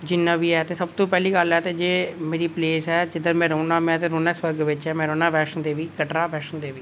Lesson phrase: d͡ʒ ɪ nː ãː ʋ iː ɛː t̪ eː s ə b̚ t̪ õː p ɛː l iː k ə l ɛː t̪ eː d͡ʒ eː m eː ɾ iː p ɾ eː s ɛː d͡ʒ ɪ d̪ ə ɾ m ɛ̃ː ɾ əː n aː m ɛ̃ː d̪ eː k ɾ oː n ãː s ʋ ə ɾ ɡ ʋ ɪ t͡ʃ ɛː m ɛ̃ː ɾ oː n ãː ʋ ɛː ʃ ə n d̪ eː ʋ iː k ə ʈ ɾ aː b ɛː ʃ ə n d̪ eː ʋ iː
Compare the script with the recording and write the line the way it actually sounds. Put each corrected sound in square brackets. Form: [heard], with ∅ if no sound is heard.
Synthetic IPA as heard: d͡ʒ ɪ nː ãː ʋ iː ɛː t̪ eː s ə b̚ t̪ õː p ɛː l iː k ə l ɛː t̪ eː d͡ʒ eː m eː ɾ iː p [l] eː s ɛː d͡ʒ ɪ d̪ ə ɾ m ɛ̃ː ɾ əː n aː m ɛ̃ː [t̪] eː [∅] ɾ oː n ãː s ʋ ə ɾ ɡ ʋ ɪ t͡ʃ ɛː m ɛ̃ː ɾ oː n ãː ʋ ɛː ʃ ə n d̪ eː ʋ iː k ə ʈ ɾ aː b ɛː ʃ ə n d̪ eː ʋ iː